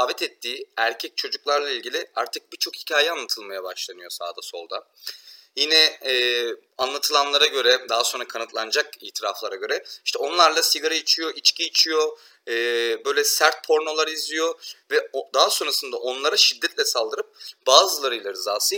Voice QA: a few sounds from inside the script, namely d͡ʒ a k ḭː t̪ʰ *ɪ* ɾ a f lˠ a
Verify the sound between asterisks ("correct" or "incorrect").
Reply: incorrect